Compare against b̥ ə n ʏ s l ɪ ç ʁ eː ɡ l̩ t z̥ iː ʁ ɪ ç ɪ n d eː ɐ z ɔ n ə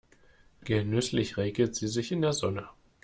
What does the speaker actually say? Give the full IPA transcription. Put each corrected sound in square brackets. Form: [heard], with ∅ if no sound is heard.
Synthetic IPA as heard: [ɡ̥] ə n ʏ s l ɪ ç ʁ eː ɡ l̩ t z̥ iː [z] ɪ ç ɪ n d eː ɐ z ɔ n ə